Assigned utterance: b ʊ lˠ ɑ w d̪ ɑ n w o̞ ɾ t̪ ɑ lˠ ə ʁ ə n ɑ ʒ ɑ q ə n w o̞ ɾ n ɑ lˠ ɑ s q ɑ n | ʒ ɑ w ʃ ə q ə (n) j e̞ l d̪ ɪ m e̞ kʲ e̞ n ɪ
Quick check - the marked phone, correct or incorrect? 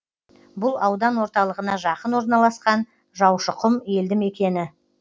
incorrect